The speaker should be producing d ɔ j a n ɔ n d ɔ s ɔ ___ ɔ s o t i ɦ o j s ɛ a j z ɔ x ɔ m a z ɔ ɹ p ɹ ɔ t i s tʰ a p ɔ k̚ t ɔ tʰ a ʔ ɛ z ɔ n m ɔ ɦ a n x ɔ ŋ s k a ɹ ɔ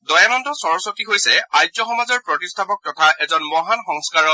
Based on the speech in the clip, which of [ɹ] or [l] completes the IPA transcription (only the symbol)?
ɹ